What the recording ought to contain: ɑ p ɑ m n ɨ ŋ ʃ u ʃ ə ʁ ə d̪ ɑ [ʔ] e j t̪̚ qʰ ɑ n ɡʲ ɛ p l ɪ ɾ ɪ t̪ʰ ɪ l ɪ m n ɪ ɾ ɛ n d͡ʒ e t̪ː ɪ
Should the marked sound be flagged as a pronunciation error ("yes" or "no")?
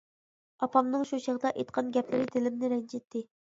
no